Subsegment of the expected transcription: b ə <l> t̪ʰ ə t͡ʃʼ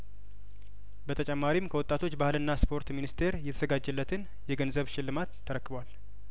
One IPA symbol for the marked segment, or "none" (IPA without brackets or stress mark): none